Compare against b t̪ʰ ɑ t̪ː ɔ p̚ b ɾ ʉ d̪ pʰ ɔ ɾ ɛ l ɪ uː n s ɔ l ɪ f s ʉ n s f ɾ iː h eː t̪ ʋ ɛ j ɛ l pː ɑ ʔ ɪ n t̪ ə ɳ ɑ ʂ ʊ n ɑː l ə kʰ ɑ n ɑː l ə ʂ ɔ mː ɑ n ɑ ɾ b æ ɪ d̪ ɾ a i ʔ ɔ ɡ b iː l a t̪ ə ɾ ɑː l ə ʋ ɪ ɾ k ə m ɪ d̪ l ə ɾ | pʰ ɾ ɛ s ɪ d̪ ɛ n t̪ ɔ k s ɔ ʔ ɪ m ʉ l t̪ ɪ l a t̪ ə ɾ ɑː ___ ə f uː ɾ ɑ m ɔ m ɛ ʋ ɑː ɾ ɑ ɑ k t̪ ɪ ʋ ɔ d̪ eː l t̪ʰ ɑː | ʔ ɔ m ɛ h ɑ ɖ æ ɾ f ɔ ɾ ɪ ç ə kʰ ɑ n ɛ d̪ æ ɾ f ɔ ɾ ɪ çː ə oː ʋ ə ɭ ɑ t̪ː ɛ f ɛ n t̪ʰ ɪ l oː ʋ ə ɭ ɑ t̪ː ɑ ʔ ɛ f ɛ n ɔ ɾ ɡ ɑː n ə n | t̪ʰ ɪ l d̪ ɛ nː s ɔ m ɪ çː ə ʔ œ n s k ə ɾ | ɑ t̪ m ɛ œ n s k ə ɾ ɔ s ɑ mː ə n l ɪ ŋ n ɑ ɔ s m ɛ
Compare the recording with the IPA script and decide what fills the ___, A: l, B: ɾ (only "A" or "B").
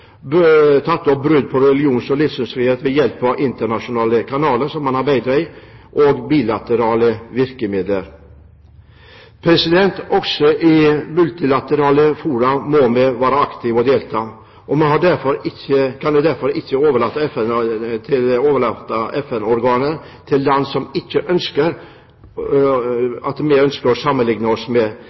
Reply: A